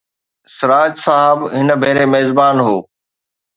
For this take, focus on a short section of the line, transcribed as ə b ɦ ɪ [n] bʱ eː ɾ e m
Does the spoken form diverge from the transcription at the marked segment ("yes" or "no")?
no